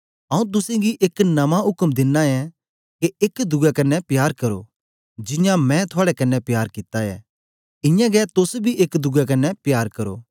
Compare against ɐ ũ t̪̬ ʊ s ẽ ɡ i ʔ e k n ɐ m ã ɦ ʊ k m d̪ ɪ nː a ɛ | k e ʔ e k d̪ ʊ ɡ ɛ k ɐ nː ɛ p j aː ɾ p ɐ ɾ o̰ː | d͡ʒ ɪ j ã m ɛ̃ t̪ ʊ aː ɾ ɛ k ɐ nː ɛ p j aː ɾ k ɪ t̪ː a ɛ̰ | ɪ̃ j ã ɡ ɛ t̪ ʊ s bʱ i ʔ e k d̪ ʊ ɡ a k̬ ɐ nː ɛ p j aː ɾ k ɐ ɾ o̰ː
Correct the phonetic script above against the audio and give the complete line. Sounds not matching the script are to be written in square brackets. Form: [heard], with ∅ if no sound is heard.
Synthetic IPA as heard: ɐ ũ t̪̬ ʊ s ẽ ɡ i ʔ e k n ɐ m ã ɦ ʊ k m d̪ ɪ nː a ɛ | k e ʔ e k d̪ ʊ ɡ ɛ k ɐ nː ɛ p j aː ɾ [k] ɐ ɾ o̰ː | d͡ʒ ɪ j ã m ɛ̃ [t̪ʰ] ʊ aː [ɽ] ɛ k ɐ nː ɛ p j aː ɾ k ɪ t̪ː a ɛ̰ | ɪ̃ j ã ɡ ɛ t̪ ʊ s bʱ i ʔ e k d̪ ʊ ɡ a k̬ ɐ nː ɛ p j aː ɾ k ɐ ɾ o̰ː

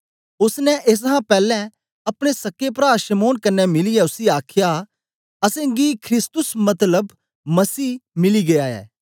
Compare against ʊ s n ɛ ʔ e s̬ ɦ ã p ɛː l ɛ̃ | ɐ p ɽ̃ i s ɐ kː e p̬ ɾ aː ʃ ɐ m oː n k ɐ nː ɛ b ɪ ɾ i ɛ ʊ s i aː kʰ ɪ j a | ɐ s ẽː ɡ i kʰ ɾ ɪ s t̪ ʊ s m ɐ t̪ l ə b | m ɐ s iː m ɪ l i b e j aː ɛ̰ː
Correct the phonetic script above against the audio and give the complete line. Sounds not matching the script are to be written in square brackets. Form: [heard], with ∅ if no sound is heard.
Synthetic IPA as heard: ʊ s n ɛ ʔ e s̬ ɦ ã p ɛː l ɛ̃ | ɐ p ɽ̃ [e] s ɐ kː e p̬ ɾ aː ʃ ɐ m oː n k ɐ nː ɛ [m] ɪ [l] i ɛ ʊ s i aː kʰ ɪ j a | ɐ s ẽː ɡ i kʰ ɾ ɪ s t̪ ʊ s m ɐ t̪ l ə b | m ɐ s iː m ɪ l i [ɡ] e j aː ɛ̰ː

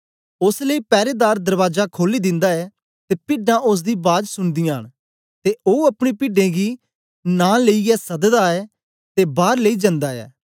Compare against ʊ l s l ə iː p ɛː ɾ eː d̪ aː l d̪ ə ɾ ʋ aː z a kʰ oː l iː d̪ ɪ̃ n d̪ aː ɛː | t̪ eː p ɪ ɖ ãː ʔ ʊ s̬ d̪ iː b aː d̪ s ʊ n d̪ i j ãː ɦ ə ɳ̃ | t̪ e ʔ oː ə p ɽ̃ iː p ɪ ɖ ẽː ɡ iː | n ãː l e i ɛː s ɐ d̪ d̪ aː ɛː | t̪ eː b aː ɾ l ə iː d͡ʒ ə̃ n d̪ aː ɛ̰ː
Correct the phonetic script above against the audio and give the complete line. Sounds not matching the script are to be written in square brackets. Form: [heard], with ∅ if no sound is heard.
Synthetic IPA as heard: ʊ [∅] s l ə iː p ɛː ɾ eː d̪ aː [ɾ] d̪ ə ɾ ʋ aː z a kʰ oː l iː d̪ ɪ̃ n d̪ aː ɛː | t̪ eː p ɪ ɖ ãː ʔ ʊ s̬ d̪ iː b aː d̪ s ʊ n d̪ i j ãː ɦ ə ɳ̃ | t̪ e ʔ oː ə p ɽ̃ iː p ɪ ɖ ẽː ɡ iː | n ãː l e i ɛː s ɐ d̪ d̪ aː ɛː | t̪ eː b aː ɾ l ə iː d͡ʒ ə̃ n d̪ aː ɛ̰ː

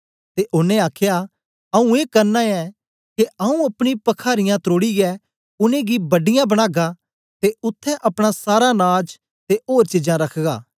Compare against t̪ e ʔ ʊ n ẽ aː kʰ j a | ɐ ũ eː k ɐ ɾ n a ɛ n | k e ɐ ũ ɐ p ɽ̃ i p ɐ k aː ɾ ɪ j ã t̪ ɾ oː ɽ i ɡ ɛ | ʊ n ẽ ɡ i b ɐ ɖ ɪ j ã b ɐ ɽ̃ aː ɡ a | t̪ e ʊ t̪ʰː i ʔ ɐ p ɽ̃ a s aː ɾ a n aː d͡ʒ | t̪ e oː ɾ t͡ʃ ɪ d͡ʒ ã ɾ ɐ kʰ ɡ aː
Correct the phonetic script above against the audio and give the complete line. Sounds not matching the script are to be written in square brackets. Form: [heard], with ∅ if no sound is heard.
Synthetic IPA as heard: t̪ e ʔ ʊ n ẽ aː kʰ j a | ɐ ũ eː k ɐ ɾ n a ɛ [∅] | k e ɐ ũ ɐ p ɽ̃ i p ɐ [kʰ] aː ɾ ɪ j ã t̪ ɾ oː ɽ i ɡ ɛ | ʊ n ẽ ɡ i b ɐ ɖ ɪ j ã b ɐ ɽ̃ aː ɡ a | t̪ e ʊ t̪ʰː [ɛ] ʔ ɐ p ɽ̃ a s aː ɾ a n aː d͡ʒ | t̪ e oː ɾ t͡ʃ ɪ d͡ʒ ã ɾ ɐ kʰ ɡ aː

